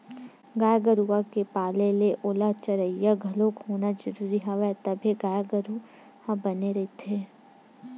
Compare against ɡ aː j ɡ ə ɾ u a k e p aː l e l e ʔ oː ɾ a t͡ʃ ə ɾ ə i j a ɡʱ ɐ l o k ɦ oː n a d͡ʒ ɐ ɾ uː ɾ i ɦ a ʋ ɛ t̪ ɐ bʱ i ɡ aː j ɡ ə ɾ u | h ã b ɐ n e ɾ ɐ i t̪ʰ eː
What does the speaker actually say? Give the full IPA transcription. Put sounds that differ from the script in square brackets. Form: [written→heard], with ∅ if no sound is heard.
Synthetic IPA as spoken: ɡ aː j ɡ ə ɾ u a k e p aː l e l e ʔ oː [ɾ→l] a t͡ʃ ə ɾ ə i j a ɡʱ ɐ l o k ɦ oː n a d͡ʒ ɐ ɾ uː ɾ i ɦ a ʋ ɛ t̪ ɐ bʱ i ɡ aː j ɡ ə ɾ u | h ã b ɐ n e ɾ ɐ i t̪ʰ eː